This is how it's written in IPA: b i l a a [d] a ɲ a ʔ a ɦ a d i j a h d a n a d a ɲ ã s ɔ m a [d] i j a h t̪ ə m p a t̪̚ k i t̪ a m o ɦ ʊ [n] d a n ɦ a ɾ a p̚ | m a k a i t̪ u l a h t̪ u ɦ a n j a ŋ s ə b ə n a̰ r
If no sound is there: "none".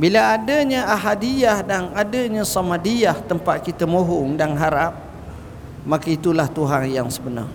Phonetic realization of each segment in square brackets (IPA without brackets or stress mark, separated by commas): d, d, ŋ